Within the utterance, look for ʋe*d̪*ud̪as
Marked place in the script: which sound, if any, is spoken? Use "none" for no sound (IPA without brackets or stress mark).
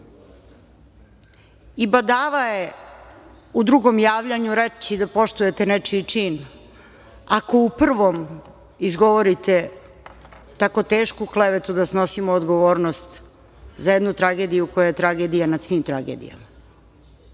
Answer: t̪